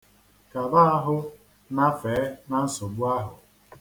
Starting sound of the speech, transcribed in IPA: k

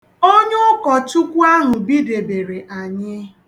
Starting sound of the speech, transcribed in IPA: o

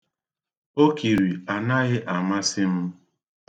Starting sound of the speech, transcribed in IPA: o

